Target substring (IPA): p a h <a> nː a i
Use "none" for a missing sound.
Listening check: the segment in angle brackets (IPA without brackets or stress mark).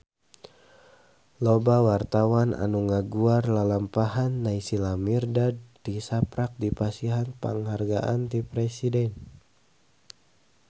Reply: a